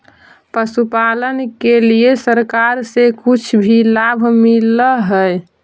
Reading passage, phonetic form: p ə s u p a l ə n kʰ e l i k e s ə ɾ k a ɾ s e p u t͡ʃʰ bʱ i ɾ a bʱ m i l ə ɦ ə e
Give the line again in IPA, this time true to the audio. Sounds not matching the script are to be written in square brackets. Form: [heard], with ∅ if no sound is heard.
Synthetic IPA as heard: p ə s u p a l ə n [k] e l i [∅] e s ə ɾ k a ɾ s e [k] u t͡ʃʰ bʱ i [l] a bʱ m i l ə ɦ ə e